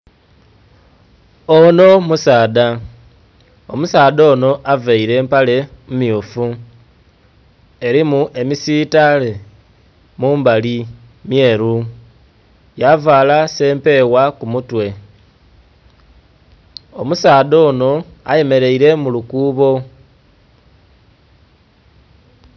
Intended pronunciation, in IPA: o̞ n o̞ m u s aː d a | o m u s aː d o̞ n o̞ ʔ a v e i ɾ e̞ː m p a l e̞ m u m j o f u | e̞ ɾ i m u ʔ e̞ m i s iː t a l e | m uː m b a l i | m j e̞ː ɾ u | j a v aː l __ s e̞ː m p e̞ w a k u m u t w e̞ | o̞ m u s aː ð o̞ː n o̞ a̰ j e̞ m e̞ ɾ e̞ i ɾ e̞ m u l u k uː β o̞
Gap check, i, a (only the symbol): a